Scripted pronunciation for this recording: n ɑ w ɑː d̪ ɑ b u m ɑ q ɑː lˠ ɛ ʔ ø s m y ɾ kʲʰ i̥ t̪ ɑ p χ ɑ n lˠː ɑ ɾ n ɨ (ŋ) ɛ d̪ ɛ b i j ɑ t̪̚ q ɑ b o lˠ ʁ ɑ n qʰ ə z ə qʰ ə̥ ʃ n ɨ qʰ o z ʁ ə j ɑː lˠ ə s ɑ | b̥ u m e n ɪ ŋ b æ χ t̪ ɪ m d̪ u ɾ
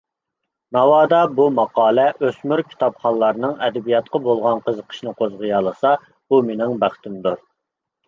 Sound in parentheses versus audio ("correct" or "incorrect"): correct